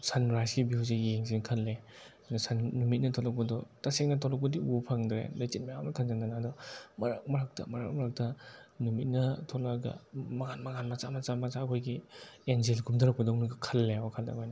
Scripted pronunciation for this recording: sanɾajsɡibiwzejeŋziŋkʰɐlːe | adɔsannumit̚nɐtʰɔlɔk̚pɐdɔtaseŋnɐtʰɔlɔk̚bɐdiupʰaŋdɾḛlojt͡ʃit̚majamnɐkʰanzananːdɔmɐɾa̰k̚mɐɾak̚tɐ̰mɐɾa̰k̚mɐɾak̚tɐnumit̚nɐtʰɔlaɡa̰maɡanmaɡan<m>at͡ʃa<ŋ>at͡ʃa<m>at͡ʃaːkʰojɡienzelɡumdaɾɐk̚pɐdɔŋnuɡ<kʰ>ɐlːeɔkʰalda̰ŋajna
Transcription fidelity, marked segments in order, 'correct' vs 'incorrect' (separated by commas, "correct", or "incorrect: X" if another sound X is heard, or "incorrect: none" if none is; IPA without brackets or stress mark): correct, incorrect: m, correct, correct